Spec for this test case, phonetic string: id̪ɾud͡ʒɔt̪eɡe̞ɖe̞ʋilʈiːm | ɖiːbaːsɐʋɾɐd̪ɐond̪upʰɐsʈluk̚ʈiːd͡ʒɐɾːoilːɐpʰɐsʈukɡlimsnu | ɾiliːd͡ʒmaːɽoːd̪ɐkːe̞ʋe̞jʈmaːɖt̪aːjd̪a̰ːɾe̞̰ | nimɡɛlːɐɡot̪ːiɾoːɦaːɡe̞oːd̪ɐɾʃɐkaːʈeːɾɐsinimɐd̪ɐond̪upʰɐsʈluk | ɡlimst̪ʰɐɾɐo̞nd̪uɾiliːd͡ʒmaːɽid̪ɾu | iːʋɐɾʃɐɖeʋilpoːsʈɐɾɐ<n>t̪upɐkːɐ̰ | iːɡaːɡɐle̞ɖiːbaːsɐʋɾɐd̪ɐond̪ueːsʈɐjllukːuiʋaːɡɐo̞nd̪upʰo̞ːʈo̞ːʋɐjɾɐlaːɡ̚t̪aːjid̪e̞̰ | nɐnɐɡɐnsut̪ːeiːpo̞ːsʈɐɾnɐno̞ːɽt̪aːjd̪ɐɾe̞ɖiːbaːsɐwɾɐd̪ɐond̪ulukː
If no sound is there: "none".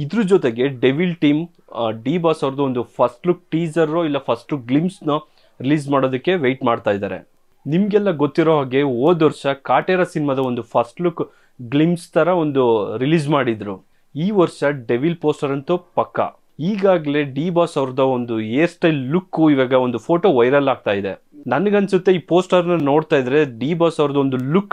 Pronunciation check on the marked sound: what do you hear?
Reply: n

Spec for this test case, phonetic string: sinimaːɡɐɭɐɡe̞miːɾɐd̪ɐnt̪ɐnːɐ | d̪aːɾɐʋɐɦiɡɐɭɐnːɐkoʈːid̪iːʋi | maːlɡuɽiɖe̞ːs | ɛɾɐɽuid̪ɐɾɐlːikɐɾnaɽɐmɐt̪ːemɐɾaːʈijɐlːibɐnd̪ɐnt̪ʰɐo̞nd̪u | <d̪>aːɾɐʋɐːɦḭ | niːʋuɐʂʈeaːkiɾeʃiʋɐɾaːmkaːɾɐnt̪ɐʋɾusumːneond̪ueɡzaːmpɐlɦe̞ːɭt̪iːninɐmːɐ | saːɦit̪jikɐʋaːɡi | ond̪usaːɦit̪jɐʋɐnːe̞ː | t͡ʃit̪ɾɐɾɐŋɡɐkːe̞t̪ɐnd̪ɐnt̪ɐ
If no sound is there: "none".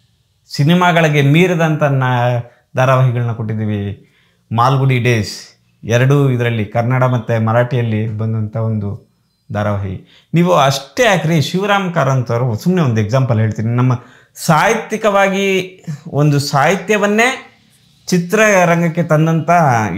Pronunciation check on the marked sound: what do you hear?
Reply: d̪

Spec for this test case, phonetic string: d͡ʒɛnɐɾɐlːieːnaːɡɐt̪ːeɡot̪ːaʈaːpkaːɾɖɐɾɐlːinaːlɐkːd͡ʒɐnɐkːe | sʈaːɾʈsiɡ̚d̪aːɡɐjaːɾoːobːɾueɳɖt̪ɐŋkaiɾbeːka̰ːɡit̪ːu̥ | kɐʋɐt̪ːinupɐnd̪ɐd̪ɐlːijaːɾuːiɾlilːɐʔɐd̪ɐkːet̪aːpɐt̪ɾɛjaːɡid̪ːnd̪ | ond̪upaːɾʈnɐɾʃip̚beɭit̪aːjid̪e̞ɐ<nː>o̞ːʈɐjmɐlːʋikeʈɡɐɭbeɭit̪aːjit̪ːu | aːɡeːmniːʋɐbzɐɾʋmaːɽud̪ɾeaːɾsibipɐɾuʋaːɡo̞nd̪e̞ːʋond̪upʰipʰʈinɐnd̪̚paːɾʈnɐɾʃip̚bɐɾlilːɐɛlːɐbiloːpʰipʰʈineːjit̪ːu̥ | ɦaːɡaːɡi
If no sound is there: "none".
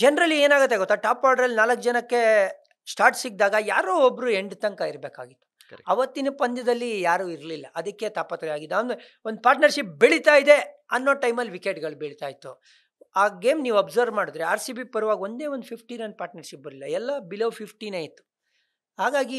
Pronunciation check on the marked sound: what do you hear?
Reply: nː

